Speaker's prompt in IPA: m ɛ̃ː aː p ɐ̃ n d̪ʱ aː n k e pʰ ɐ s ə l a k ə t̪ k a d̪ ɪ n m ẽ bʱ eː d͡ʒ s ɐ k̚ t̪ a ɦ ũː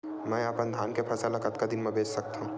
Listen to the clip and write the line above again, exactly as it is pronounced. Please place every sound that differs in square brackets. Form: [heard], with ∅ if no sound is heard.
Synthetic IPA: m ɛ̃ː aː p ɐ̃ n d̪ʱ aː n k e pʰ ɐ s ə l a k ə t̪ k a d̪ ɪ n m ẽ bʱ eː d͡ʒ s ɐ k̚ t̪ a ɦ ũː